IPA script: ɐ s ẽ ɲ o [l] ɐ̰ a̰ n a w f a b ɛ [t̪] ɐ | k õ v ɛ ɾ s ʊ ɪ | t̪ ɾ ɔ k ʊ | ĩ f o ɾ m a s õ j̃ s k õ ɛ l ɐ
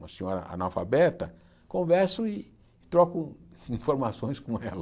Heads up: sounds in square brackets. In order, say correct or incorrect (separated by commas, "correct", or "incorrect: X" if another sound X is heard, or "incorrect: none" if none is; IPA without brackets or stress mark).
incorrect: ɾ, correct